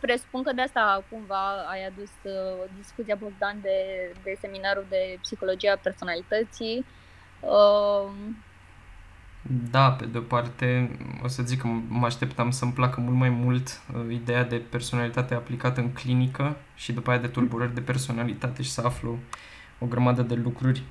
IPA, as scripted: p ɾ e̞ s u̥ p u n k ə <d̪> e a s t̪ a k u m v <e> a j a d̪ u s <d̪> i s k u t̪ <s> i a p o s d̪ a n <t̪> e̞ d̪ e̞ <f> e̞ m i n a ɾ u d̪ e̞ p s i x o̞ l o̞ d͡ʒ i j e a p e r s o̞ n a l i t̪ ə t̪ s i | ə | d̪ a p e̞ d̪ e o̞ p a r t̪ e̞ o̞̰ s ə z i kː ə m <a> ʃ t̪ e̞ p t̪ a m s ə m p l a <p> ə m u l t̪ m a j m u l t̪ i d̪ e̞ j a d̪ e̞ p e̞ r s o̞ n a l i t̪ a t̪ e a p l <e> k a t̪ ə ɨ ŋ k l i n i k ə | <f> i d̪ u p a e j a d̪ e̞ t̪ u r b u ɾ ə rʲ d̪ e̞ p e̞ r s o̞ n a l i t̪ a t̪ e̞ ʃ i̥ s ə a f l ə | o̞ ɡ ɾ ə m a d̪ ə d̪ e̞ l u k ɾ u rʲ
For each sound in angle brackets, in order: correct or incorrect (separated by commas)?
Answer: correct, incorrect, correct, correct, incorrect, incorrect, correct, incorrect, incorrect, incorrect